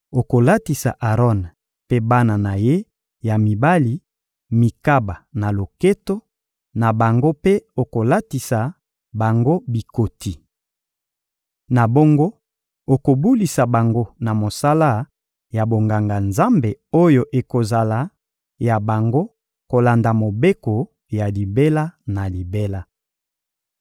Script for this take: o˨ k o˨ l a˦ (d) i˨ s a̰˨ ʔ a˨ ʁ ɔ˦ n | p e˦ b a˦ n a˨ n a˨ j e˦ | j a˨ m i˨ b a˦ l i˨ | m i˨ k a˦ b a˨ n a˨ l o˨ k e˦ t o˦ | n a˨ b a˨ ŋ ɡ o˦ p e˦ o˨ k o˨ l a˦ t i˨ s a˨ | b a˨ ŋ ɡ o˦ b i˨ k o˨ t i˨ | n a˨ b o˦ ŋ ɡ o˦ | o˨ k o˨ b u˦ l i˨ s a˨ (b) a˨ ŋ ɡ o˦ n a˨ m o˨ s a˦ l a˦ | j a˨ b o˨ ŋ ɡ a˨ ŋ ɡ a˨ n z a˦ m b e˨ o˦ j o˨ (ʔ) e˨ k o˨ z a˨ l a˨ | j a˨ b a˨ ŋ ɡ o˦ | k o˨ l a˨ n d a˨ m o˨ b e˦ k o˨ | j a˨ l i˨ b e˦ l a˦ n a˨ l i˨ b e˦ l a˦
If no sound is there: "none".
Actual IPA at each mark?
t, b, ʔ

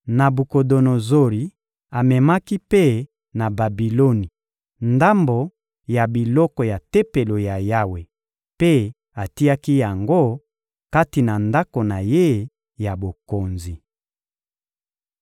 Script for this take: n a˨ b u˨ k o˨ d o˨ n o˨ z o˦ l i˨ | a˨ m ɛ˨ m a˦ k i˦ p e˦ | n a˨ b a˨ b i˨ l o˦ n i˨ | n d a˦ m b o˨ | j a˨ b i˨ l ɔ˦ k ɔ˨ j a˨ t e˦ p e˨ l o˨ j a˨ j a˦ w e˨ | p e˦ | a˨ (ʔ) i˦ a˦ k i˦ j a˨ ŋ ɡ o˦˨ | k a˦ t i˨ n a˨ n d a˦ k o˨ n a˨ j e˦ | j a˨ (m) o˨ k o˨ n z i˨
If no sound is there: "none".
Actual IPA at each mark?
t, b

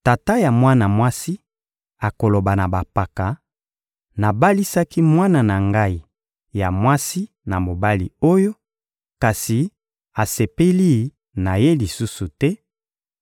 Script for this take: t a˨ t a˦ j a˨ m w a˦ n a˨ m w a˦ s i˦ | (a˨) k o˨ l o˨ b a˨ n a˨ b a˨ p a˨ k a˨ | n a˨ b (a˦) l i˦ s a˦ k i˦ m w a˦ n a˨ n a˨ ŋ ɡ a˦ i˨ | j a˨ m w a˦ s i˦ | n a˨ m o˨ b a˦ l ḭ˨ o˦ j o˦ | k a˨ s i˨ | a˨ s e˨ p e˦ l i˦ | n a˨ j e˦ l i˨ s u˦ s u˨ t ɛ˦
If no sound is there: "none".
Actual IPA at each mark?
a˨, a˦

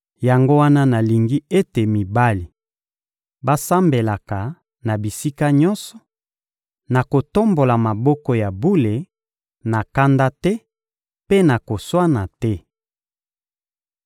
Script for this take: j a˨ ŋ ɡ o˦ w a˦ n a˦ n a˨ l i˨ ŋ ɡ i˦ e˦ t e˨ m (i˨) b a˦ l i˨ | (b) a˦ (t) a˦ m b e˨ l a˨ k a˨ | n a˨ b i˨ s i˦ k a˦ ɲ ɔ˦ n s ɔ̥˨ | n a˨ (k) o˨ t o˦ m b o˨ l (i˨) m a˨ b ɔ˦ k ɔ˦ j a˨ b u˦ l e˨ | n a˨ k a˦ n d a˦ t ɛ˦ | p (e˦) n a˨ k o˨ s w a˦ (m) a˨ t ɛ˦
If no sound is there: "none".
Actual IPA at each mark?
i˨, b, s, k, a˨, e˦, n

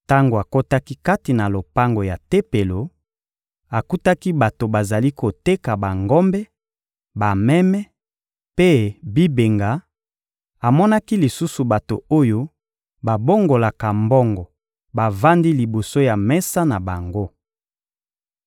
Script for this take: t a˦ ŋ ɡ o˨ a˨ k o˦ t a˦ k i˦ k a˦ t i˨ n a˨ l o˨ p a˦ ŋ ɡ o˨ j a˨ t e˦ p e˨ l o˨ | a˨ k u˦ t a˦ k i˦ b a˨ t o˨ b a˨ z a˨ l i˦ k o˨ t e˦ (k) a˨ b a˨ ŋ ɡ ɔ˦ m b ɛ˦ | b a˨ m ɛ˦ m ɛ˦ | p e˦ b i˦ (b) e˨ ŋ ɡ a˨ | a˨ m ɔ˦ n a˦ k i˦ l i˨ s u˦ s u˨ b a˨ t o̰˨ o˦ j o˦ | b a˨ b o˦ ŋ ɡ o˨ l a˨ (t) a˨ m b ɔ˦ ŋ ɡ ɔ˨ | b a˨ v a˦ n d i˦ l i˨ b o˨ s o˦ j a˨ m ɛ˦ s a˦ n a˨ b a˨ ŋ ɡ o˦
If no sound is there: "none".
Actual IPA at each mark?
k, b, k

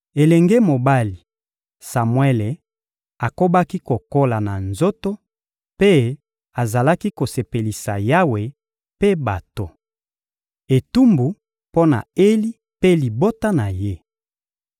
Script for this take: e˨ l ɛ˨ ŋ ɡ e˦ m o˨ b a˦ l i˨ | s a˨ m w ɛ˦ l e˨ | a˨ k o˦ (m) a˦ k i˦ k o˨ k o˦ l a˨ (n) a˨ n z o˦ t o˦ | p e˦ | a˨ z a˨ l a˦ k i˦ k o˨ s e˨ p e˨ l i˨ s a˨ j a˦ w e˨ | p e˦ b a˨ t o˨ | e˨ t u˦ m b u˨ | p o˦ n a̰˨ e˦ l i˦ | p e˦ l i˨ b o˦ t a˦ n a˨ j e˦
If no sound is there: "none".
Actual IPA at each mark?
b, n

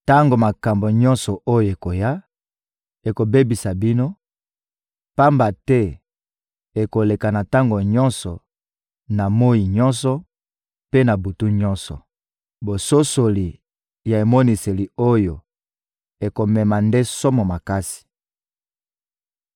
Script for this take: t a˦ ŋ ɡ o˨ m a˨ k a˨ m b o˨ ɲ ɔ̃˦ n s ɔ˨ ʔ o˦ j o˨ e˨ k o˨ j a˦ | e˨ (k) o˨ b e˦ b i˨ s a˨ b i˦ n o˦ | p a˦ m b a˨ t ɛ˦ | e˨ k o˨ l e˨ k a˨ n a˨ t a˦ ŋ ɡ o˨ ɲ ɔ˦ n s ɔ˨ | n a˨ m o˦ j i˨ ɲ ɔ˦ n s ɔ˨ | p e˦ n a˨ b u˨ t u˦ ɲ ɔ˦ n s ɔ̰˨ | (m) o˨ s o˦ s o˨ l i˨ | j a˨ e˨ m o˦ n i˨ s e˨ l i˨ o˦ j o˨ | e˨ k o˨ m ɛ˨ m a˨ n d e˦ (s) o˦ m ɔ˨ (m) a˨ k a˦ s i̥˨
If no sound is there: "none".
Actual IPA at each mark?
k, b, s, m

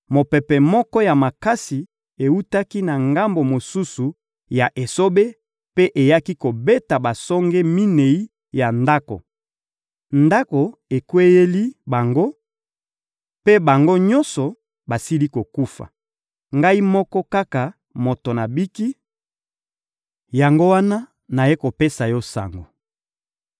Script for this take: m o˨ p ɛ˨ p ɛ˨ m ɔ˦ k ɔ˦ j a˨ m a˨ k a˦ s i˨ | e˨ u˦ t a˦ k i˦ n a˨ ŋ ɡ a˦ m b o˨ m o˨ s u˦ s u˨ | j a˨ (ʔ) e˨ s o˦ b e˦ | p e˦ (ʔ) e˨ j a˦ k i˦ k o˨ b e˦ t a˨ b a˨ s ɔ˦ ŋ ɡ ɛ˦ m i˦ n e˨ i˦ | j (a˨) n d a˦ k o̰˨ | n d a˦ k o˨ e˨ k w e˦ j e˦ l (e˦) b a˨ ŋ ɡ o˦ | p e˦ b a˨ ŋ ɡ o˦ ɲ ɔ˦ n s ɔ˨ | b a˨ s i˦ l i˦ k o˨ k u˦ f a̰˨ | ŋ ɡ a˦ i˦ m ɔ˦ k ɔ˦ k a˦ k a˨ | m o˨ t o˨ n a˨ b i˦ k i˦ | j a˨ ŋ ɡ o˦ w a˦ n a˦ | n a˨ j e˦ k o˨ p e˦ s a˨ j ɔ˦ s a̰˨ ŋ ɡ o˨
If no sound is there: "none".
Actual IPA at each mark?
ʔ, ʔ, a˨, i˦

